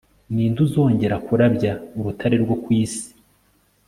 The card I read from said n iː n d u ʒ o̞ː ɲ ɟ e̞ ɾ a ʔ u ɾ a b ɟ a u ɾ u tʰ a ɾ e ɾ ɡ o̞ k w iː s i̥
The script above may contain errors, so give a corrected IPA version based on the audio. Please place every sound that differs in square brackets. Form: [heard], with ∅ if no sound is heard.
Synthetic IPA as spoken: n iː n d u [z] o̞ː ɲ ɟ e̞ ɾ a [k] u ɾ a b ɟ a u ɾ u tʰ a ɾ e ɾ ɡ o̞ k w iː s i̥